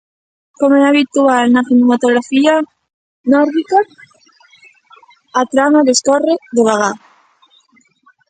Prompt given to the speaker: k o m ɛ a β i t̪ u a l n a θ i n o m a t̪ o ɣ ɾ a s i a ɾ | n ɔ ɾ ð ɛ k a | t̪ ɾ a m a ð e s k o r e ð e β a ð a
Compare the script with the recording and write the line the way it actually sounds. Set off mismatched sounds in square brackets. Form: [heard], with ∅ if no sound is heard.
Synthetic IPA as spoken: k o m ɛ a β i t̪ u a l n a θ i n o m a t̪ o ɣ ɾ a [f] i a [∅] | n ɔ ɾ ð [i] k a | t̪ ɾ a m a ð e s k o r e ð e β a [ɣ] a